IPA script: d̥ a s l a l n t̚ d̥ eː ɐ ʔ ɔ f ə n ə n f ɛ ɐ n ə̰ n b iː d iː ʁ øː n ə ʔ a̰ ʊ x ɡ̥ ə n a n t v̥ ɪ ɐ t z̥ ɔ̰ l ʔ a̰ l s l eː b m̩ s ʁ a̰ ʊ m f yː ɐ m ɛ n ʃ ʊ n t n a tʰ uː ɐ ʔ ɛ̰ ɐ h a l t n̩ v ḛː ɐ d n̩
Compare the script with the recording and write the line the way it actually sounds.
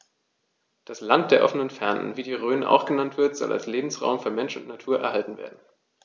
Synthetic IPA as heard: d̥ a s l a n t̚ d̥ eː ɐ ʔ ɔ f ə n ə n f ɛ ɐ n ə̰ n v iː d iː ʁ øː n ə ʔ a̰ ʊ x ɡ̥ ə n a n t v̥ ɪ ɐ t z̥ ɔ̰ l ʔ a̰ l s l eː b m̩ s ʁ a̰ ʊ m f yː ɐ m ɛ n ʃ ʊ n t n a tʰ uː ɐ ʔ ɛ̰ ɐ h a l t n̩ v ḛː ɐ d n̩

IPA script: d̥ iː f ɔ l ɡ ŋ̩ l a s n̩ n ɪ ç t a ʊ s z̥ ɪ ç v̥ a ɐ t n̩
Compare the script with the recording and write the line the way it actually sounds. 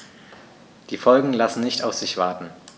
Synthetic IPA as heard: d̥ iː f ɔ l ɡ ŋ̩ l a s n̩ n ɪ ç t a ʊ f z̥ ɪ ç v̥ a ɐ t n̩

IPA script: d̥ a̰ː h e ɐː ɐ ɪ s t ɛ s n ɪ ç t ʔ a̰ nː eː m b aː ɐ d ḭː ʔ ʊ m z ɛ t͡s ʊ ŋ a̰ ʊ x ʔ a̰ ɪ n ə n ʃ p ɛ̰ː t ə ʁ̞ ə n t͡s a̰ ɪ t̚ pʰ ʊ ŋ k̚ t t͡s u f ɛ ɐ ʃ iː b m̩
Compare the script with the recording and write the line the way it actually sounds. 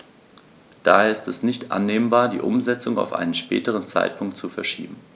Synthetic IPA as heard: d̥ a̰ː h e ɐː ɐ ɪ s t ɛ s n ɪ ç t ʔ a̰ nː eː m b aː ɐ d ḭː ʔ ʊ m z ɛ t͡s ʊ ŋ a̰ ʊ f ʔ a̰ ɪ n ə n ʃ p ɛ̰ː t ə ʁ̞ ə n t͡s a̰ ɪ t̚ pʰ ʊ ŋ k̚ t t͡s u f ɛ ɐ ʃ iː b m̩

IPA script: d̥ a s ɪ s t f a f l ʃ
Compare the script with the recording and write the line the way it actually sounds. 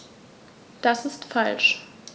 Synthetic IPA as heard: d̥ a s ɪ s t f a l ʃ

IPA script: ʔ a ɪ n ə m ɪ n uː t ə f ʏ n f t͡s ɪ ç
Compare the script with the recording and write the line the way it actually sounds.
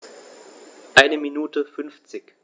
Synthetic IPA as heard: ʔ a ɪ n ə m i n uː t ə f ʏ n f t͡s ɪ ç

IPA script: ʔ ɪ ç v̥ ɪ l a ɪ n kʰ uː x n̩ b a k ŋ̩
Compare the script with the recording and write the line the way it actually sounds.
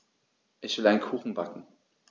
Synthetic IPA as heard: ʔ ɪ ç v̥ ɪ l a ɪ n kʰ uː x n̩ b a k ŋ̩

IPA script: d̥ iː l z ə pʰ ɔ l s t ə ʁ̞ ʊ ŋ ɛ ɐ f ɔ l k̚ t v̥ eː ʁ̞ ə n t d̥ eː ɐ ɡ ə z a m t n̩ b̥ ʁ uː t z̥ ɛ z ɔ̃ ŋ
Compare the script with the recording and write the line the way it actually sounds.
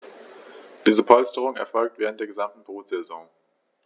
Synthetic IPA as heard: d̥ iː z ə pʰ ɔ l s t ə ʁ̞ ʊ ŋ ɛ ɐ f ɔ l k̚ t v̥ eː ʁ̞ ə n t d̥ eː ɐ ɡ ə z a m t n̩ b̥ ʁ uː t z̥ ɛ z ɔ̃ ŋ

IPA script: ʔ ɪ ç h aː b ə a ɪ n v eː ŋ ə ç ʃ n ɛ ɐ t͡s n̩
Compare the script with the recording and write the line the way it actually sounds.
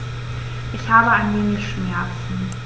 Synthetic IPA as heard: ʔ ɪ ç h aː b ə a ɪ n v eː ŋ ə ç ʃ m ɛ ɐ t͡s n̩

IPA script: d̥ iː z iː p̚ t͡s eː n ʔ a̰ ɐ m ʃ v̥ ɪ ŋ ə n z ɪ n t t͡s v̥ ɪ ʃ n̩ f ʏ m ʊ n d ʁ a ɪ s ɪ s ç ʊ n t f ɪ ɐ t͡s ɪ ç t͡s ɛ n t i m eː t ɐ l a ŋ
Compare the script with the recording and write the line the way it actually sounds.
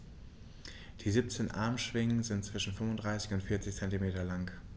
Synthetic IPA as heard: d̥ iː z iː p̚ t͡s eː n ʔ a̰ ɐ m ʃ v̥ ɪ ŋ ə n z ɪ n t t͡s v̥ ɪ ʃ n̩ f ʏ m ʊ n d ʁ a ɪ s ɪ ç ʊ n t f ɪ ɐ t͡s ɪ ç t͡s ɛ n t i m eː t ɐ l a ŋ

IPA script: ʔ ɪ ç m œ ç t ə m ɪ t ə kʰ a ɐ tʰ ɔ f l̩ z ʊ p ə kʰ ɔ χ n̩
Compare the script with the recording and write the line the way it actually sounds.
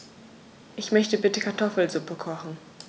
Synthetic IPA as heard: ʔ ɪ ç m œ ç t ə b ɪ t ə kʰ a ɐ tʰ ɔ f l̩ z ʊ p ə kʰ ɔ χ n̩

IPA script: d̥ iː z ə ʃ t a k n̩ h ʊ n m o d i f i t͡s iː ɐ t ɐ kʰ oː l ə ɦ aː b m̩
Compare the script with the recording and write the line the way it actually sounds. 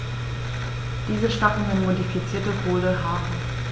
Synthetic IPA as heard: d̥ iː z ə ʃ t a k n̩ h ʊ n m o d i f i t͡s iː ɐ t ə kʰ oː l ə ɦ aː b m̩

